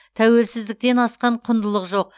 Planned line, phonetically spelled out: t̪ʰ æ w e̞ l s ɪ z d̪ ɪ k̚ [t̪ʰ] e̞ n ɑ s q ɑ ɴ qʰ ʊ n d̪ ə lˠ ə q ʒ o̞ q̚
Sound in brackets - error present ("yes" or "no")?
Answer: yes